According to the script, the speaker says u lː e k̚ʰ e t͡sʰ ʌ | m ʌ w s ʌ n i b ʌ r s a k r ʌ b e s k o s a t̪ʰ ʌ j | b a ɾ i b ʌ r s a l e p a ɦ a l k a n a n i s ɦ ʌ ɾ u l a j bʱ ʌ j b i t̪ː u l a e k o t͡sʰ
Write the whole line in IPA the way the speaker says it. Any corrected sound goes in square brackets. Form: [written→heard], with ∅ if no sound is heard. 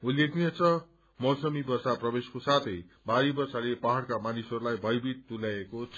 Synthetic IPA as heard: u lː e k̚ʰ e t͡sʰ ʌ | m ʌ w s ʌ [n→m] i b ʌ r s a [k→p] r ʌ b e s k o s a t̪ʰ ʌ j | b a ɾ i b ʌ r s a l e p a ɦ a [l→ɽ] k a [n→m] a n i s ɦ ʌ ɾ u l a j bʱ ʌ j b i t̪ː u l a e k o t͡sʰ